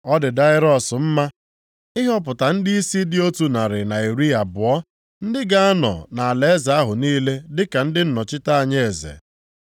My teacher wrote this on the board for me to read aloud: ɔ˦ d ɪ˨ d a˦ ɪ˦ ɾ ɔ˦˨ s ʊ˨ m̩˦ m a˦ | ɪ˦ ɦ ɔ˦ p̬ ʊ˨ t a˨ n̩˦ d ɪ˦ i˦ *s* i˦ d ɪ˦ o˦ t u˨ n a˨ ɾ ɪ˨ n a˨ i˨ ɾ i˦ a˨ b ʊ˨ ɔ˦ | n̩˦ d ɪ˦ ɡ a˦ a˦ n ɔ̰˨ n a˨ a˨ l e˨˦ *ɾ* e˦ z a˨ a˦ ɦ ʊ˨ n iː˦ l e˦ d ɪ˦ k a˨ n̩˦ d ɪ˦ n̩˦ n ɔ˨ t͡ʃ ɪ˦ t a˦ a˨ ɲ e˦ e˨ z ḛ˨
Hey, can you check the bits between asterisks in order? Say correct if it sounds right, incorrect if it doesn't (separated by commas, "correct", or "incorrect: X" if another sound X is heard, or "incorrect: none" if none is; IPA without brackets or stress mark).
correct, incorrect: none